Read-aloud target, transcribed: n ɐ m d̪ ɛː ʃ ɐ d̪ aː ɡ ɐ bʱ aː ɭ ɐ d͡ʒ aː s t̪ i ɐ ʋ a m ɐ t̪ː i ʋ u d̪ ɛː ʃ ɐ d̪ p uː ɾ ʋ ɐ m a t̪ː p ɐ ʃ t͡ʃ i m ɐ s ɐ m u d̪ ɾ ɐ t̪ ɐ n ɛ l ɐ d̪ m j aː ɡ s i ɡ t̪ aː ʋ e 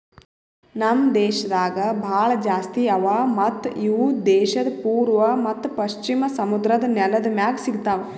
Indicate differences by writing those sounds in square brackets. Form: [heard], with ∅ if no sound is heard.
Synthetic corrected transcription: n ɐ m d̪ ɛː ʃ ɐ d̪ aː ɡ ɐ bʱ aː ɭ ɐ d͡ʒ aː s t̪ i ɐ ʋ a m ɐ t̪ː i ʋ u d̪ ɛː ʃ ɐ d̪ p uː ɾ ʋ ɐ m [ɐ] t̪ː p ɐ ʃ t͡ʃ i m ɐ s ɐ m u d̪ ɾ ɐ [d̪] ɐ n ɛ l ɐ d̪ m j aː ɡ s i ɡ t̪ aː ʋ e